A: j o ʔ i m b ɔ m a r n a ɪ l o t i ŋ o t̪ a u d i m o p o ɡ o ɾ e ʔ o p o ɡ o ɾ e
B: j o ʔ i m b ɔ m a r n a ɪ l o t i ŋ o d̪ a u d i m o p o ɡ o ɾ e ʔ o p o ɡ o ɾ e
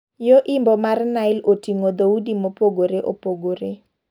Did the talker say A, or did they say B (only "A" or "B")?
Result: B